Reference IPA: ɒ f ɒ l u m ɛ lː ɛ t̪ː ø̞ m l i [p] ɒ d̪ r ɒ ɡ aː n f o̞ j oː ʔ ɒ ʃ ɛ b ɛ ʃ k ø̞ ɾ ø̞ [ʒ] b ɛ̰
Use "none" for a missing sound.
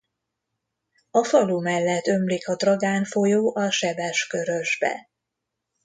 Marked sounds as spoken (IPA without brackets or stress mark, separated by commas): k, ʒ